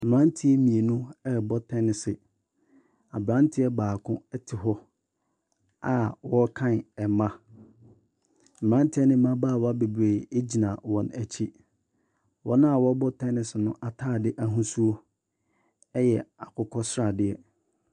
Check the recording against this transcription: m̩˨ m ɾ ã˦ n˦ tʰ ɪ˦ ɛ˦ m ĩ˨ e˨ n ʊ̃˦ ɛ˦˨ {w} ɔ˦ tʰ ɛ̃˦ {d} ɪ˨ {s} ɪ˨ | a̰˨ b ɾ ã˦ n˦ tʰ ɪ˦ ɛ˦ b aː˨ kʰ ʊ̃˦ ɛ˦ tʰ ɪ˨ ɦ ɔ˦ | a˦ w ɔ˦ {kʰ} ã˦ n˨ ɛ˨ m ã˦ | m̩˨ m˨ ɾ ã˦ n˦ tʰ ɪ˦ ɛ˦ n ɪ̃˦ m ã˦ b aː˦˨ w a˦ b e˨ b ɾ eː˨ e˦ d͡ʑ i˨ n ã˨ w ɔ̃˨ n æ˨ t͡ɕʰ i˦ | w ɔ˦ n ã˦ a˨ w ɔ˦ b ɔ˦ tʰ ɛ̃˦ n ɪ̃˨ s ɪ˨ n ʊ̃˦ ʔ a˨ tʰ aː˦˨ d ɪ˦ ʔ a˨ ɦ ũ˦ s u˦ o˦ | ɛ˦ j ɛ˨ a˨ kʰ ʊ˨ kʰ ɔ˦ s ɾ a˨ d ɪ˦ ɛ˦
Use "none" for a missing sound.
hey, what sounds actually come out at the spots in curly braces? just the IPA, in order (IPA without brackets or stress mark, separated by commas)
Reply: b, n, s, kʰ